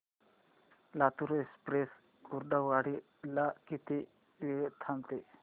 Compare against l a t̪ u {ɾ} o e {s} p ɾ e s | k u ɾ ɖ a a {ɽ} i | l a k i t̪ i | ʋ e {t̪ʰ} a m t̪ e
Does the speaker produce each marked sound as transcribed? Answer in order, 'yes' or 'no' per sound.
yes, yes, yes, yes

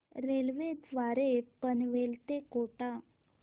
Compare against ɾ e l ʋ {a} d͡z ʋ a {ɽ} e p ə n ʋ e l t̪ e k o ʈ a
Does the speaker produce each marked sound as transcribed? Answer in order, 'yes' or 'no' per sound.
no, no

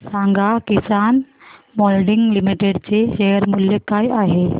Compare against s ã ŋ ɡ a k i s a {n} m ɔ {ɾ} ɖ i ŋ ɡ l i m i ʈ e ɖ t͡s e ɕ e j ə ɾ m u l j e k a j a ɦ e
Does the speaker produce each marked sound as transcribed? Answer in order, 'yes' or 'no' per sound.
yes, no

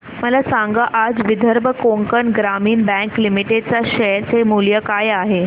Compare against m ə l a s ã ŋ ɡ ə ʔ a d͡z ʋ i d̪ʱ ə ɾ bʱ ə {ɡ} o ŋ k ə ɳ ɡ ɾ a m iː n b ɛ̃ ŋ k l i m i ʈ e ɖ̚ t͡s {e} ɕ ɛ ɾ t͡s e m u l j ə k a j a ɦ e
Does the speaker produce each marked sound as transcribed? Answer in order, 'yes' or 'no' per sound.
no, no

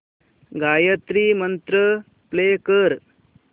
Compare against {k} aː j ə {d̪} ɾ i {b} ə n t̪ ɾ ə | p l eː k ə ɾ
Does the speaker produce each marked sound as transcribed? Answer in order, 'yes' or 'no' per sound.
no, no, no

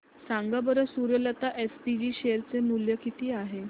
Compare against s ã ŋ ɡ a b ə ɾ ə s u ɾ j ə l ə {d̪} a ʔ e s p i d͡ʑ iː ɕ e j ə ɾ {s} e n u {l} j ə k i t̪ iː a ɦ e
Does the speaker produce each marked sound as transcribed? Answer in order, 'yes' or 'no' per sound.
no, no, yes

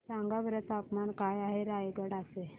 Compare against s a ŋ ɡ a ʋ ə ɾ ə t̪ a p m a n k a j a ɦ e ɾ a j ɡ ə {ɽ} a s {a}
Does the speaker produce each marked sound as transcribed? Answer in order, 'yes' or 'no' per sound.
yes, no

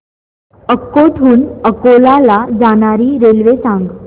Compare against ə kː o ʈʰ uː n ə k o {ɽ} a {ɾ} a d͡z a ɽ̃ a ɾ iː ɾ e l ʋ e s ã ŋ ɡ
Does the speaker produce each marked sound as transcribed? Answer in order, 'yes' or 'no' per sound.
no, no

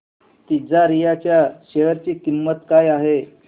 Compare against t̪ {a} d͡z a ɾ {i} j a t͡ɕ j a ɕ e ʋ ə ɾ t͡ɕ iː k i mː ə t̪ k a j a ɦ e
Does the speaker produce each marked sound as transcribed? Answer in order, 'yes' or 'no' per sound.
no, yes

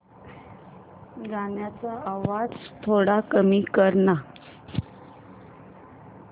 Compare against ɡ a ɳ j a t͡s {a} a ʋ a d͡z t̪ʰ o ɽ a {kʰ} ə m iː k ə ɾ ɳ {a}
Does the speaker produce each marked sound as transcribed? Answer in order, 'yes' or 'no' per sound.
yes, no, yes

